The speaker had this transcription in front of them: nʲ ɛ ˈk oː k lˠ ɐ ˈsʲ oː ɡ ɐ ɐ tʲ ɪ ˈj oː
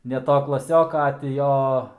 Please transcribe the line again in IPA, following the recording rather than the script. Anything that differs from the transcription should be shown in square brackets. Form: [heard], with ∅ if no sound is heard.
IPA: nʲ ɛ [ˈt] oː k lˠ ɐ ˈsʲ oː [k] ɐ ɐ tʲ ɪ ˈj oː